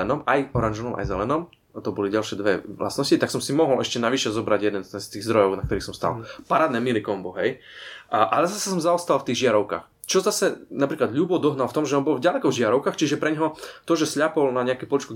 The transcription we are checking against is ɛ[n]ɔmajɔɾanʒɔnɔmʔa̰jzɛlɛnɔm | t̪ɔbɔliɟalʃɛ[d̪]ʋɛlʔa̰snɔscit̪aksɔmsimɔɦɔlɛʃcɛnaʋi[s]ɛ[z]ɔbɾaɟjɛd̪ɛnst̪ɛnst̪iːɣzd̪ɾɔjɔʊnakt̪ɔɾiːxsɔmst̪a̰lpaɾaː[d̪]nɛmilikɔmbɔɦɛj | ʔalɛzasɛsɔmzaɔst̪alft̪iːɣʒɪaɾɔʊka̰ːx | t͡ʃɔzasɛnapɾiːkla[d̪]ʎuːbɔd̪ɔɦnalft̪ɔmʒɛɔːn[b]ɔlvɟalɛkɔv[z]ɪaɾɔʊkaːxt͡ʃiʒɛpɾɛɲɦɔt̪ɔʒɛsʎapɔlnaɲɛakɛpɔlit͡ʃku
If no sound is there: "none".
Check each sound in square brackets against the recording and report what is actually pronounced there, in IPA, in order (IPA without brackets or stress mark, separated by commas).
n, d̪, ʃ, z, d̪, d̪, b, ʒ